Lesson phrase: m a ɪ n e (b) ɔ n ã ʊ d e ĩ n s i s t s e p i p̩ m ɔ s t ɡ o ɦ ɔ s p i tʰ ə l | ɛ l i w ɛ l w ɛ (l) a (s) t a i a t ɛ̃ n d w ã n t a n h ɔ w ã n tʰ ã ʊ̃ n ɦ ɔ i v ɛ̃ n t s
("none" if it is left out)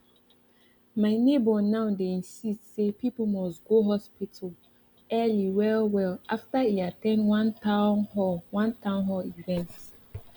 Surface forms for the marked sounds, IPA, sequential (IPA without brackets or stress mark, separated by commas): b, l, f